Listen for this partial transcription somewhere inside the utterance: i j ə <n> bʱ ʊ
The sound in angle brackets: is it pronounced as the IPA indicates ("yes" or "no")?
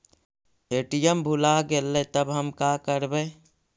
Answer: no